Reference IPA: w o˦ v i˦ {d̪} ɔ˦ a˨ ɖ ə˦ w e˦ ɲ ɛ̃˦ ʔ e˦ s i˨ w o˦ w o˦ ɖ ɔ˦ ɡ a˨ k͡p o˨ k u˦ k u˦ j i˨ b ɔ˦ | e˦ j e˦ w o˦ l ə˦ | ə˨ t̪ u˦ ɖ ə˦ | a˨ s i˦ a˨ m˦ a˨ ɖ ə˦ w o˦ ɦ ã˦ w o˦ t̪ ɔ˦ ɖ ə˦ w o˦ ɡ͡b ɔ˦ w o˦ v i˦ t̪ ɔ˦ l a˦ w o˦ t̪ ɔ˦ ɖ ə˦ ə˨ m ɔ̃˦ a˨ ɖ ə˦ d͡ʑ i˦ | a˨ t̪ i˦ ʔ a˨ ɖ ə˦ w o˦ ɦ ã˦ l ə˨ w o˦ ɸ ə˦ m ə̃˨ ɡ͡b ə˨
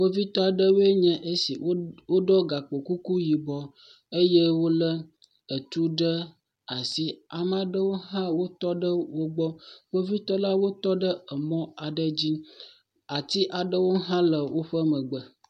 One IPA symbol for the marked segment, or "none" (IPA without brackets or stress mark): t̪